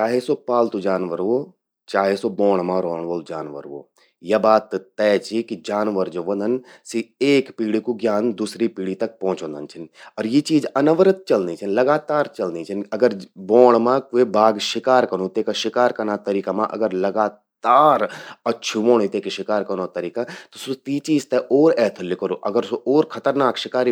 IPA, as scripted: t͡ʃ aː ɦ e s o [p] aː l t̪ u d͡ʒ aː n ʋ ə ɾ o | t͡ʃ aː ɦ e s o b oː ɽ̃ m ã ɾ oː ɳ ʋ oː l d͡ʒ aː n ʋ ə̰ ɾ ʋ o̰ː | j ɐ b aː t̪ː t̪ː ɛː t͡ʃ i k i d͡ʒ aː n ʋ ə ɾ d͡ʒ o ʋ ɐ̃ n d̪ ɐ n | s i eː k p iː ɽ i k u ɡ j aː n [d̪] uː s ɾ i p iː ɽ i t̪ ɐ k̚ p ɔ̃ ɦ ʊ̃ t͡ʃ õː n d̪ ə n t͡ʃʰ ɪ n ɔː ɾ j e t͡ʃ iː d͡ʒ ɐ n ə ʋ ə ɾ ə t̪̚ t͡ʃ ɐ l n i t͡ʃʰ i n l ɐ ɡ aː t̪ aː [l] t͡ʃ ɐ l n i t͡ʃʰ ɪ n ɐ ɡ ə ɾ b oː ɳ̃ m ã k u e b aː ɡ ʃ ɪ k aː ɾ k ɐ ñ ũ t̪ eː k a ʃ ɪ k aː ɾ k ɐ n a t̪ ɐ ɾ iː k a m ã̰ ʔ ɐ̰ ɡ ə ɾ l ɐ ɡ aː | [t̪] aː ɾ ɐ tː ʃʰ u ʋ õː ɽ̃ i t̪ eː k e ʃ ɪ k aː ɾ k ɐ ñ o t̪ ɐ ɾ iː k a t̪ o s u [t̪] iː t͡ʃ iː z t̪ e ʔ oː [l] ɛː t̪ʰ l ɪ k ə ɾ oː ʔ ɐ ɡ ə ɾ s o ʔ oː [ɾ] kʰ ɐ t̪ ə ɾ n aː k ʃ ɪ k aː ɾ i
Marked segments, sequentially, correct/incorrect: correct, correct, incorrect: ɾ, correct, correct, incorrect: ɾ, correct

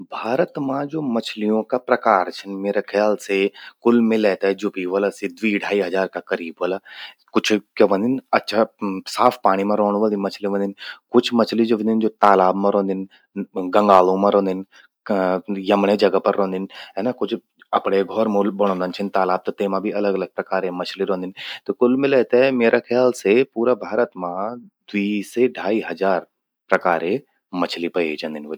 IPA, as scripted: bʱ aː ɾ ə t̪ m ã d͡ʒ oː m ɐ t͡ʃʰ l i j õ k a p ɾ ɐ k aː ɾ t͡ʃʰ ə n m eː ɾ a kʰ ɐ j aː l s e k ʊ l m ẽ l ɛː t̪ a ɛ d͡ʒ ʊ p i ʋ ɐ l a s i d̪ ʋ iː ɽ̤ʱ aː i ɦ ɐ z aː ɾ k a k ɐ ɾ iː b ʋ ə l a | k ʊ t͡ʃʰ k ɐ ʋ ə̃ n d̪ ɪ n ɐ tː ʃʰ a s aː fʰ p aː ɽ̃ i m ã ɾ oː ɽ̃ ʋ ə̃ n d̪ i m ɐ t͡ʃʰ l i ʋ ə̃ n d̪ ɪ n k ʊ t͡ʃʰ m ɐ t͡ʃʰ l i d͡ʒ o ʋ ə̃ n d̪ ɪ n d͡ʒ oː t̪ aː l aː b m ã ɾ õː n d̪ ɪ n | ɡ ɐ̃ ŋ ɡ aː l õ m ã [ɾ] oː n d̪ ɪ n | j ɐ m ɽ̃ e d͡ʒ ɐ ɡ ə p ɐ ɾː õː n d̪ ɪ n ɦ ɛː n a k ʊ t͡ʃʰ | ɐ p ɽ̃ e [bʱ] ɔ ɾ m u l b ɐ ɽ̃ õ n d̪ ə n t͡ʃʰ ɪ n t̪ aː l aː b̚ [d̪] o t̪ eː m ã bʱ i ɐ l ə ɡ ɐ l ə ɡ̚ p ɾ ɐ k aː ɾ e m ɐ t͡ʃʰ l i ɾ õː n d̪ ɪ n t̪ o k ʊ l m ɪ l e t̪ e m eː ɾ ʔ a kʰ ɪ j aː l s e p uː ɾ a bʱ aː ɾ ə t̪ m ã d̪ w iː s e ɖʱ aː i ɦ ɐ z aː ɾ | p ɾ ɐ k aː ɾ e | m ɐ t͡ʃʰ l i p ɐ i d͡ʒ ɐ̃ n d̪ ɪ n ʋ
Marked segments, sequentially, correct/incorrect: correct, incorrect: ɡʱ, incorrect: t̪

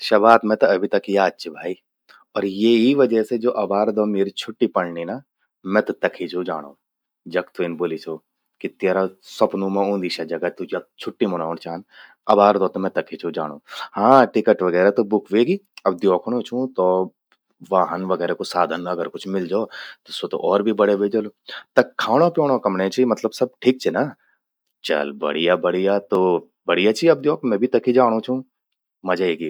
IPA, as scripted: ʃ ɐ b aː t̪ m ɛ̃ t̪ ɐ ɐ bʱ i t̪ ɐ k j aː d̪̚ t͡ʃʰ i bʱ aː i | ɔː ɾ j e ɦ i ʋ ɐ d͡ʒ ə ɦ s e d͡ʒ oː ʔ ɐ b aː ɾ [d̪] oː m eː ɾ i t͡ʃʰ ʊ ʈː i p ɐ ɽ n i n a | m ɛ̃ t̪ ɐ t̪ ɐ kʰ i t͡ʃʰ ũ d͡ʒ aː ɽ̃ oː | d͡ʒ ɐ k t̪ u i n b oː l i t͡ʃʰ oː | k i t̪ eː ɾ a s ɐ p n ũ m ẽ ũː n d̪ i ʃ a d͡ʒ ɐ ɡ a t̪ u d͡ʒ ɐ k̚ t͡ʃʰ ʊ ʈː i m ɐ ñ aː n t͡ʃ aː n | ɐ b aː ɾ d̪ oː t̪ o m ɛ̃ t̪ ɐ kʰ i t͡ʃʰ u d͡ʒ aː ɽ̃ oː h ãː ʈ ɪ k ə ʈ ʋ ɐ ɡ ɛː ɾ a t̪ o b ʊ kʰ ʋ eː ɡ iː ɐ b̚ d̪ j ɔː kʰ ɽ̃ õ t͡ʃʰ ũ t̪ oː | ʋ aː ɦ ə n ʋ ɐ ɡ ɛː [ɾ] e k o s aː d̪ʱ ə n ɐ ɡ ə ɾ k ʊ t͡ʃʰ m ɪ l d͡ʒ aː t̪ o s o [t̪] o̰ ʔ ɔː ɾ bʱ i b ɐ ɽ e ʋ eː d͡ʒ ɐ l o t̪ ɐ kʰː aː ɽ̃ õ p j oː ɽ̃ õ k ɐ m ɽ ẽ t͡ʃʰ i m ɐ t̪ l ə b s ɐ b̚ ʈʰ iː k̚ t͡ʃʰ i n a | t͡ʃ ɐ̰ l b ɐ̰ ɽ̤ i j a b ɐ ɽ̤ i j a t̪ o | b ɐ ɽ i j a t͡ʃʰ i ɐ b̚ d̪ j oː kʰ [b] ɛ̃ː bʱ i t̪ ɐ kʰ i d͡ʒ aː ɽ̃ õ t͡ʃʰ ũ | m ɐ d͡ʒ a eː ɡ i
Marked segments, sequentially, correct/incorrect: correct, correct, correct, incorrect: m

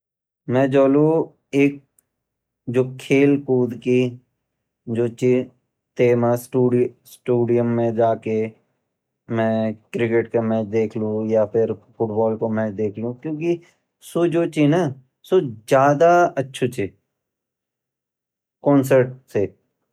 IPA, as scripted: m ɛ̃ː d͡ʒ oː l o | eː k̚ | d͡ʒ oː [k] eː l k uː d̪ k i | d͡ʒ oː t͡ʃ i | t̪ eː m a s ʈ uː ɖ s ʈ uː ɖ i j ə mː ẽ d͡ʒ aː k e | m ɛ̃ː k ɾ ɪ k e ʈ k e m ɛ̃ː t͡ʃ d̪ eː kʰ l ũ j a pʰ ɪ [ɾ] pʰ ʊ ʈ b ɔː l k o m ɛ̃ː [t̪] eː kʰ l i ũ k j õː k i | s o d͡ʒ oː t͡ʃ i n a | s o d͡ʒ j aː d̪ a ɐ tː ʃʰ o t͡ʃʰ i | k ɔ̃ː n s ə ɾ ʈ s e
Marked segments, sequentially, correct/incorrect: incorrect: kʰ, correct, incorrect: d̪

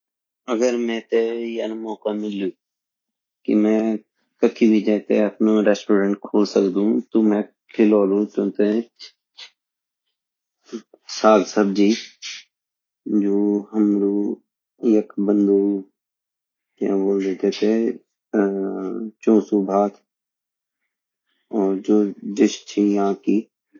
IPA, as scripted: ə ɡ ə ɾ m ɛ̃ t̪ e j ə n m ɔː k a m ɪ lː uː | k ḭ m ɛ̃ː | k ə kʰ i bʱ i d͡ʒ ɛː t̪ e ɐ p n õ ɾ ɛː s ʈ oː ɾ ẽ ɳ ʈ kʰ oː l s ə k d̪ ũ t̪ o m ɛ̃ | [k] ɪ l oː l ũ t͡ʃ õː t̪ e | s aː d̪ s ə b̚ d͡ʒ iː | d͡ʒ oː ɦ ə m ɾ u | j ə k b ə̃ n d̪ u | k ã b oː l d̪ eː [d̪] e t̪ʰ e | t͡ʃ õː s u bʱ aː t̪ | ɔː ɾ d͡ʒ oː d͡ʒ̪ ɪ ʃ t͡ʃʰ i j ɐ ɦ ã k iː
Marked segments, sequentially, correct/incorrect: incorrect: kʰ, incorrect: t̪

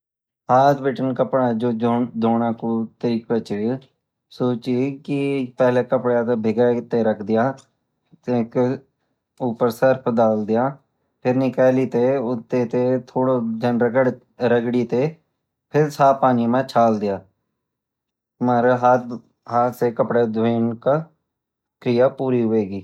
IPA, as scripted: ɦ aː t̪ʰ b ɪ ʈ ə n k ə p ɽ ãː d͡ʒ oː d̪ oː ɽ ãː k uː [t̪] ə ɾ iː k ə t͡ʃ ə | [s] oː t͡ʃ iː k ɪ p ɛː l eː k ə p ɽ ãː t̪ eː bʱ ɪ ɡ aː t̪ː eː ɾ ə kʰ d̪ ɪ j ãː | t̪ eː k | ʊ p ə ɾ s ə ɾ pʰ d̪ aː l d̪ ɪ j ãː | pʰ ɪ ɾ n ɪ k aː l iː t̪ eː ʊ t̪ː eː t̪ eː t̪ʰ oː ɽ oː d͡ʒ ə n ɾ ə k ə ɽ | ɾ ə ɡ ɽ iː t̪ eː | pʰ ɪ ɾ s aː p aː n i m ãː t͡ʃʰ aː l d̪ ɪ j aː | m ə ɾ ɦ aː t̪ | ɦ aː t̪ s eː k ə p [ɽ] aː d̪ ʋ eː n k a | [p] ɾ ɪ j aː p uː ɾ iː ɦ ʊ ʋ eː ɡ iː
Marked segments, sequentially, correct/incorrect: correct, correct, correct, incorrect: k

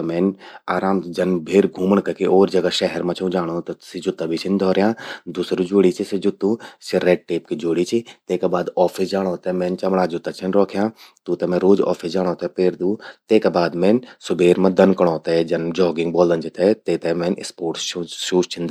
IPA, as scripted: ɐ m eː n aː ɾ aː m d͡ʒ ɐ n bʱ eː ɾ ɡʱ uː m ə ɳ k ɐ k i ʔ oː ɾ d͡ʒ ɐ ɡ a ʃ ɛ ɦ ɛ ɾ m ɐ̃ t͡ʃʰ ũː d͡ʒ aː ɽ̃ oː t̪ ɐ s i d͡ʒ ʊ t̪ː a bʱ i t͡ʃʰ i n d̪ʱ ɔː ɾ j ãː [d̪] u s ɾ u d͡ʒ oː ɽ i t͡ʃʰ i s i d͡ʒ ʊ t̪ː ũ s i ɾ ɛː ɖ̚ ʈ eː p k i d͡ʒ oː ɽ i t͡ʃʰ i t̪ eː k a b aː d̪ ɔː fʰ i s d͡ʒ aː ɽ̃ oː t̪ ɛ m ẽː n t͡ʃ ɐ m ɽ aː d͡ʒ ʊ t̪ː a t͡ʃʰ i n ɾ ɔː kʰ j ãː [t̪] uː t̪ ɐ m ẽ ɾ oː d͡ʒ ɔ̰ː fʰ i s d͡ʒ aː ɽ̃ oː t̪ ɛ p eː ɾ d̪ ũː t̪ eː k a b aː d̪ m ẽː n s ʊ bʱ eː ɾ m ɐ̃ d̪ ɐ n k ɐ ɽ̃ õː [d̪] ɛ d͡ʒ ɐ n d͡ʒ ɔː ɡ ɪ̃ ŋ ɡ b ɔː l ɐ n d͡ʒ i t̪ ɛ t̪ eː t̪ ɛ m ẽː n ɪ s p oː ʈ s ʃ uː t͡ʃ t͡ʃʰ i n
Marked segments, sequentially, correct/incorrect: correct, correct, incorrect: t̪

